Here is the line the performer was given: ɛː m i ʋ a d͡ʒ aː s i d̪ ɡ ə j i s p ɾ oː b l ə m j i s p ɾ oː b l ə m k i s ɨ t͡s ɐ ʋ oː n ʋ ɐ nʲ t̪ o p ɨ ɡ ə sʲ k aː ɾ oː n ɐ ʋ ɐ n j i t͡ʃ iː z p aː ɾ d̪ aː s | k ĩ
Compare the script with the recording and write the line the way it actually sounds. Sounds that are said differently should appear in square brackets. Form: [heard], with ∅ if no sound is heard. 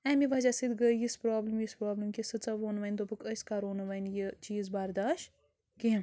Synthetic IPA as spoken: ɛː m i ʋ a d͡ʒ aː s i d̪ ɡ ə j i s p ɾ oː b l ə m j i s p ɾ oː b l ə m k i s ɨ t͡s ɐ ʋ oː n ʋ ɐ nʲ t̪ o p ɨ [k] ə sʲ k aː ɾ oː n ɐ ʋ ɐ n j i t͡ʃ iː z [b] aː ɾ d̪ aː [ʃ] | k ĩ